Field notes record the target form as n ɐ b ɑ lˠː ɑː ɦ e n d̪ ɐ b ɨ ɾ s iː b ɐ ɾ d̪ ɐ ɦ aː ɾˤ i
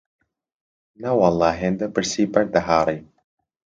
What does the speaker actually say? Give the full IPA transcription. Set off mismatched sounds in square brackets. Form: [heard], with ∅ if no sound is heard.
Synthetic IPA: n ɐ [w] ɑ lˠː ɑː ɦ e n d̪ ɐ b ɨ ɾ s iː b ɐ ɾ d̪ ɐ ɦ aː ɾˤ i